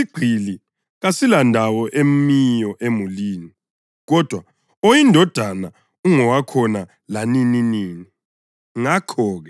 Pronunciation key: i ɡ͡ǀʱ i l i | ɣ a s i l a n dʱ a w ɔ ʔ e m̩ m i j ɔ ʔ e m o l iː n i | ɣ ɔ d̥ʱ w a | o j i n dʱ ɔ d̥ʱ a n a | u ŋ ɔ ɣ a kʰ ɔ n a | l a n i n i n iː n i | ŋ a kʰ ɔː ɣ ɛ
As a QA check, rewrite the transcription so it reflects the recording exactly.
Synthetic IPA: i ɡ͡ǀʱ i l i | ɣ a s i l a n dʱ a w ɔ ʔ e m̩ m i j ɔ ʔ e m u l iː n i | ɣ ɔ d̥ʱ w a | o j i n dʱ ɔ d̥ʱ a n a | u ŋ ɔ w a kʰ ɔ n a | l a n i n i n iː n i | ŋ a kʰ ɔː ɣ ɛ